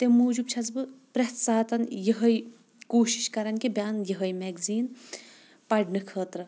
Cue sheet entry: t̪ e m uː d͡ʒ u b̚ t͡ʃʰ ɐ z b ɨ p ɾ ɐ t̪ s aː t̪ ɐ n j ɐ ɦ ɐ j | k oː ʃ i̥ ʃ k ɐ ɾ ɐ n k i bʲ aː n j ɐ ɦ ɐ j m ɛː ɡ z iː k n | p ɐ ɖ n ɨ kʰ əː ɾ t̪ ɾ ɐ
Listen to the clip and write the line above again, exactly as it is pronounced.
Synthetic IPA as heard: t̪ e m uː d͡ʒ u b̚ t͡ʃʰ ɐ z b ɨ p ɾ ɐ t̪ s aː t̪ ɐ n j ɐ ɦ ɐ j | k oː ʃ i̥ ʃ k ɐ ɾ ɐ n k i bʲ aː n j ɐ ɦ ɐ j m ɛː ɡ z iː n | p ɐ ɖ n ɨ kʰ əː t̪ ɾ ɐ